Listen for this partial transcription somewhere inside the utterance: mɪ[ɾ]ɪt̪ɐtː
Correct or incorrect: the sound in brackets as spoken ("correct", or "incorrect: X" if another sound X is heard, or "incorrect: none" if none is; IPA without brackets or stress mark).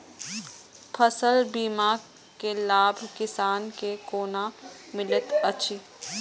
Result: incorrect: l